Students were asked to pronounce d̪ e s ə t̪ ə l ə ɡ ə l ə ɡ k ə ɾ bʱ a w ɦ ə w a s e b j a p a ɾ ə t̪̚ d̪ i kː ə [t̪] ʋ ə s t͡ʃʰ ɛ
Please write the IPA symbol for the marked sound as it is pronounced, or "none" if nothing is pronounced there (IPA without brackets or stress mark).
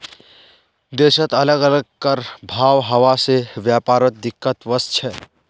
t̪